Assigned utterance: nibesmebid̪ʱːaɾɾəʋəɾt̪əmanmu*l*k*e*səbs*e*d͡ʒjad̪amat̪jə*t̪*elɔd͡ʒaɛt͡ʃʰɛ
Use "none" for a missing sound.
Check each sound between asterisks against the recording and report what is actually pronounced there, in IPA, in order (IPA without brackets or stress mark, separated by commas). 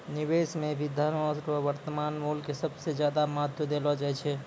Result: l, e, e, d̪